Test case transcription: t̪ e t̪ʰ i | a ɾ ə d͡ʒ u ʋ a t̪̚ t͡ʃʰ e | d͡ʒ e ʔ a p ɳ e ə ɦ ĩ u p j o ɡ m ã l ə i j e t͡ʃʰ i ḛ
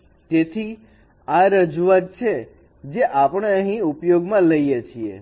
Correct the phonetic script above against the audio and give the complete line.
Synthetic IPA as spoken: t̪ e t̪ʰ i | a ɾ ə d͡ʒ u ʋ a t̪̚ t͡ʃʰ e | d͡ʒ e ʔ a p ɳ e ə ɦ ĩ u p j o ɡ m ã l ə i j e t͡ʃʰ i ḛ